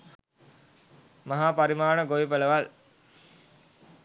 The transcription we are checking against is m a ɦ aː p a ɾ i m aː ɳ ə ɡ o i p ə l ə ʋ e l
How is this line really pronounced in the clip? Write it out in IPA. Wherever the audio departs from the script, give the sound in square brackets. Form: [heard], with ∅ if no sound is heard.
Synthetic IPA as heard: m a ɦ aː p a ɾ i m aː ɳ ə ɡ o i p ə l ə ʋ [a] l

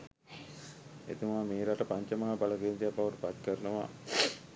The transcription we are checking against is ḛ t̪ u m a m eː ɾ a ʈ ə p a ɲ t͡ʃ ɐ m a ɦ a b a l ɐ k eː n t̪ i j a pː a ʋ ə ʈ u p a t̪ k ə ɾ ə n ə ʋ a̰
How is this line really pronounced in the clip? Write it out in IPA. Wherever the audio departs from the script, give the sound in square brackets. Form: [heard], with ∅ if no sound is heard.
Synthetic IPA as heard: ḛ t̪ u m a m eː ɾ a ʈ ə p a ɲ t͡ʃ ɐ m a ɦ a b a l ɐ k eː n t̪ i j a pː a ʋ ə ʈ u p a t̪ k ə ɾ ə n ə ʋ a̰

